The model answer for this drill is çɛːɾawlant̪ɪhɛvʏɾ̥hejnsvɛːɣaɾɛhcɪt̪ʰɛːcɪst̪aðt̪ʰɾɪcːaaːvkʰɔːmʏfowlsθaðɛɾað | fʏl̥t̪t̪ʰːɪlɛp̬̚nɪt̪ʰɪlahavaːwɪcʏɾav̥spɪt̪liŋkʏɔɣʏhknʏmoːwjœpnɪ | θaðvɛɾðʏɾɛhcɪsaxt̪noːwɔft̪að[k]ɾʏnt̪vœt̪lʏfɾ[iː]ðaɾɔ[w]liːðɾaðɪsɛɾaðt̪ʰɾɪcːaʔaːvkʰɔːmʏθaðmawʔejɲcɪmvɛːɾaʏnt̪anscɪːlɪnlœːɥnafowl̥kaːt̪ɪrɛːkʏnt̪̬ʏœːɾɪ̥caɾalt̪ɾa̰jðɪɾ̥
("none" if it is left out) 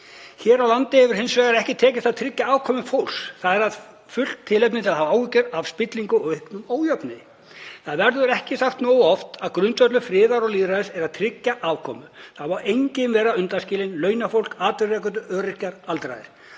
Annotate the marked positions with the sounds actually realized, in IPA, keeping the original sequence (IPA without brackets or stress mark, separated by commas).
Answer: k, ɪː, ɣ